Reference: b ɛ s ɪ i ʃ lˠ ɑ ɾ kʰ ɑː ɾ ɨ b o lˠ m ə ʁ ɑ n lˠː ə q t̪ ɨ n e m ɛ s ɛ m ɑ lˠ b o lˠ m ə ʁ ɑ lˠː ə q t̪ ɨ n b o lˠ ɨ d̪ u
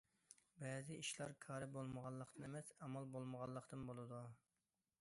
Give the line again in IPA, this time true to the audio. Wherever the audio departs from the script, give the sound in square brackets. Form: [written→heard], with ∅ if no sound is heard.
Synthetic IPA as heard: b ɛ [s→z] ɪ i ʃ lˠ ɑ ɾ kʰ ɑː ɾ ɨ b o lˠ m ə ʁ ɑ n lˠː ə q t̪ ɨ n e m ɛ s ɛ m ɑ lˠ b o lˠ m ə ʁ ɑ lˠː ə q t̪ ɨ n b o lˠ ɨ d̪ u